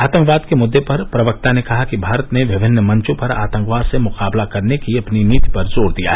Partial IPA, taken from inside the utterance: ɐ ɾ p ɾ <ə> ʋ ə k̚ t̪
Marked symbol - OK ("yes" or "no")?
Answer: no